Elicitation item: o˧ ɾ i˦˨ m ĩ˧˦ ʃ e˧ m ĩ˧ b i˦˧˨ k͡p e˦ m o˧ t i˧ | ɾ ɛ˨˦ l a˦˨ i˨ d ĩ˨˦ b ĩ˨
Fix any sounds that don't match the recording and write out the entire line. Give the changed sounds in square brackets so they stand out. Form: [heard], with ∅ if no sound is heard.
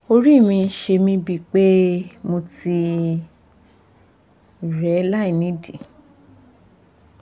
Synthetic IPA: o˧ ɾ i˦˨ m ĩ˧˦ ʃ e˧ m ĩ˧ b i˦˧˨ k͡p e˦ m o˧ t i˧ | ɾ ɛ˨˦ l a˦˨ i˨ [n] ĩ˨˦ [d] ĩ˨